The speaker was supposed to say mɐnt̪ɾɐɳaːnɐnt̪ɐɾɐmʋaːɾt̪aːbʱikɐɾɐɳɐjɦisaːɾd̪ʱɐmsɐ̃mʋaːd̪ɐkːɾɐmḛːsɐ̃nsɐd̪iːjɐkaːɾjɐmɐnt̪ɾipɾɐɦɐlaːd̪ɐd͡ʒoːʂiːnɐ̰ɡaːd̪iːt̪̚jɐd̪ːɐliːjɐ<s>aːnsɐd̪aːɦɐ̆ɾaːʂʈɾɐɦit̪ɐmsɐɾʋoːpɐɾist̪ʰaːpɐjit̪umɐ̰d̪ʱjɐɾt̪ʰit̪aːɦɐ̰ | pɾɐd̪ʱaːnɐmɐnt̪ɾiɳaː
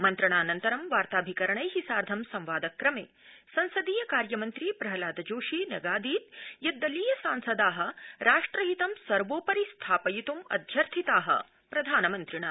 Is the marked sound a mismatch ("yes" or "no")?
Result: no